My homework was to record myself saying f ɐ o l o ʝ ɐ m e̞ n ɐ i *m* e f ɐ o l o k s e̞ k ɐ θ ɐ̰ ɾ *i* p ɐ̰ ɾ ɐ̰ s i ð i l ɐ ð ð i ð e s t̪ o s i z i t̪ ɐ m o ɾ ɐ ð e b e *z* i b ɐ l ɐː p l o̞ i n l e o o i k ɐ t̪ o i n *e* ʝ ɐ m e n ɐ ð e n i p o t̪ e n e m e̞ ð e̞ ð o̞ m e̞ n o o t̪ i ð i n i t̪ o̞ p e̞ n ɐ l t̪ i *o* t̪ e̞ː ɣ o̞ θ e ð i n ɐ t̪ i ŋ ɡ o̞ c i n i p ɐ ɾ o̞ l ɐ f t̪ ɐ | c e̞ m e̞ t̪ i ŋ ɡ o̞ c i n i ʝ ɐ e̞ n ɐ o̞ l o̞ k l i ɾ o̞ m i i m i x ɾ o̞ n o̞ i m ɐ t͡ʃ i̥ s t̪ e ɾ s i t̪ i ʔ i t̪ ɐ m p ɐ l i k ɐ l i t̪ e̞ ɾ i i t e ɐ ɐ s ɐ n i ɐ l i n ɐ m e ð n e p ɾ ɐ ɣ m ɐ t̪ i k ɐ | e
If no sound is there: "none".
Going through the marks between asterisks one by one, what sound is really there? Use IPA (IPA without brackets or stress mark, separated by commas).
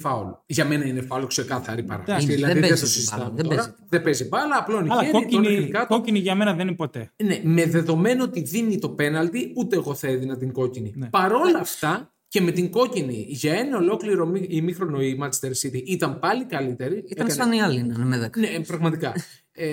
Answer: n, i, z, i, u